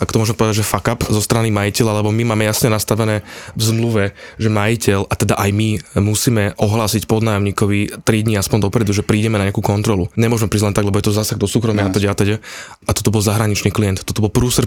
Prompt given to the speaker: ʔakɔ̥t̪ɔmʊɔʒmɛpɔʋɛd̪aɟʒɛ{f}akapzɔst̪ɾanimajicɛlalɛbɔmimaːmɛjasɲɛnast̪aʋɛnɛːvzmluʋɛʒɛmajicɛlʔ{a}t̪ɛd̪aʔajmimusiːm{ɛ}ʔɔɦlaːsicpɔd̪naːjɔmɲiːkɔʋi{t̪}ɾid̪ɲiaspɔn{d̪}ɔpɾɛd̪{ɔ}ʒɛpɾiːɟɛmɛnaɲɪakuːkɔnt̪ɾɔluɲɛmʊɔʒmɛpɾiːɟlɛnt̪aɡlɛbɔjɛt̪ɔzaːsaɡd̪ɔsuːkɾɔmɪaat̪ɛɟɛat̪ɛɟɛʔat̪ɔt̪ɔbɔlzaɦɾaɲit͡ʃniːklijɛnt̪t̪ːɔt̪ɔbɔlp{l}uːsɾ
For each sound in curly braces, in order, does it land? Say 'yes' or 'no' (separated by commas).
yes, yes, yes, yes, yes, no, no